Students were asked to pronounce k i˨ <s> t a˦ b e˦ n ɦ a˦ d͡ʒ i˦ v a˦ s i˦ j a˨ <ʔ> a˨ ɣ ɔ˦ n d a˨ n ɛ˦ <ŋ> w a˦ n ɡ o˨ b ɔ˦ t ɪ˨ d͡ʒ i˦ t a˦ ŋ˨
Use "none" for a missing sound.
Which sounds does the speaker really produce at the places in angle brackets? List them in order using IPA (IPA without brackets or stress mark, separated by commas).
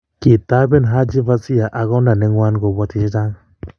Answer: none, ʔ, ŋ